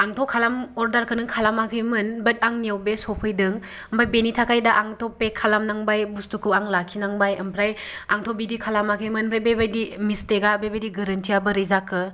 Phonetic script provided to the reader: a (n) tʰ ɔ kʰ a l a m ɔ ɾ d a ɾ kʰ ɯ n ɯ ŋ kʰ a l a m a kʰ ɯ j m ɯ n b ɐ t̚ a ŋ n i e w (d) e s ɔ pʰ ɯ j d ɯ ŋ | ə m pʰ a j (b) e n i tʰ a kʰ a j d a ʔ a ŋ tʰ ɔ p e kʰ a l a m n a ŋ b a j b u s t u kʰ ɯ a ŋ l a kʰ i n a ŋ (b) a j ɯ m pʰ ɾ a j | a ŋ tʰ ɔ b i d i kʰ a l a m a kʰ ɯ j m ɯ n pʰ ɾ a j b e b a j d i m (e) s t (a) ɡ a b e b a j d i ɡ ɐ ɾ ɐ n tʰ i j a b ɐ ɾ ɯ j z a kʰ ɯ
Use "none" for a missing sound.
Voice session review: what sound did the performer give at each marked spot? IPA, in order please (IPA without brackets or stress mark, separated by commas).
ŋ, b, b, b, i, e